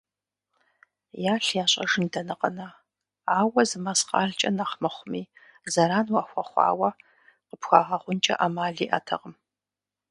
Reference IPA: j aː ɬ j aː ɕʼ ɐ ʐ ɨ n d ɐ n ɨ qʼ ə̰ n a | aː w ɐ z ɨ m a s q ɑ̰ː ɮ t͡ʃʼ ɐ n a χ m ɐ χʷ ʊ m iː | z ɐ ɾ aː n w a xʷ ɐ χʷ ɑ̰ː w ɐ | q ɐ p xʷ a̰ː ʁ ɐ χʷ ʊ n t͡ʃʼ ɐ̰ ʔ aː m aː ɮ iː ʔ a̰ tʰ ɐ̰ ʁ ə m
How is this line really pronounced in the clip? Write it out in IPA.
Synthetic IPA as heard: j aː ɬ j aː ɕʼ ɐ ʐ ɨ n d ɐ n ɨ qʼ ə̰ n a | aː w ɐ z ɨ m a s q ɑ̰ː ɮ t͡ʃʼ ɐ n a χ m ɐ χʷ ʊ m iː | z ɐ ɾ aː n w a xʷ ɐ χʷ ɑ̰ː w ɐ | q ə p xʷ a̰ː ʁ ɐ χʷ ʊ n t͡ʃʼ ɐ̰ ʔ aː m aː ɮ iː ʔ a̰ tʰ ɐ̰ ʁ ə m